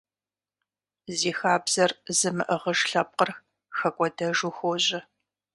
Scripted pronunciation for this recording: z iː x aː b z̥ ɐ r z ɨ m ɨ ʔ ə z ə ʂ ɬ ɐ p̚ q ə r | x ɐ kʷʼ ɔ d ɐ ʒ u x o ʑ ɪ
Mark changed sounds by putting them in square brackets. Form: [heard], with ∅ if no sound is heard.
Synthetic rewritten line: z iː x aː b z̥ ɐ r z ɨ m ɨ ʔ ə [ʁ] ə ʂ ɬ ɐ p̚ q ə r | x ɐ kʷʼ ɔ d ɐ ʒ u x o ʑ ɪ